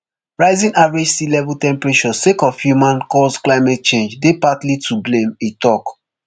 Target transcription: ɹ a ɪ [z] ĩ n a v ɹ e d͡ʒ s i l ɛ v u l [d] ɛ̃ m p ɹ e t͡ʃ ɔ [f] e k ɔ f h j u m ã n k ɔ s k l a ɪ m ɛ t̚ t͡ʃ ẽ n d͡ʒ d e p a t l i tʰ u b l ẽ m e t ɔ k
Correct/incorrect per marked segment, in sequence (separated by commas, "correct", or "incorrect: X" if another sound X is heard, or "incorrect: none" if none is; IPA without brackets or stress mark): correct, incorrect: t, incorrect: s